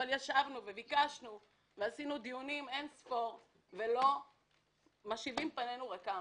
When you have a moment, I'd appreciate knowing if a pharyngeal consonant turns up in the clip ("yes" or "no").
no